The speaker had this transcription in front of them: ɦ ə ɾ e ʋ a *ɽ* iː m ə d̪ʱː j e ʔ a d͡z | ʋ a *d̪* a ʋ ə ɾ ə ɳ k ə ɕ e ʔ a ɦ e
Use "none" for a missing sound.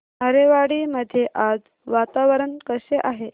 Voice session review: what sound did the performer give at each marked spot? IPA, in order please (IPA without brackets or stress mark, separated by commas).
ɽ, t̪